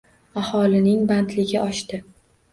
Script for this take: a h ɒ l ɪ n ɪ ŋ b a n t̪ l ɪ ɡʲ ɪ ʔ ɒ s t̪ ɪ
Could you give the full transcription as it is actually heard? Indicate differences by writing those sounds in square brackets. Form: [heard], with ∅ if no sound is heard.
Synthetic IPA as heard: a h ɒ l ɪ n ɪ ŋ b a n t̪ l ɪ ɡʲ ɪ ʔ ɒ [ʃ] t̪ ɪ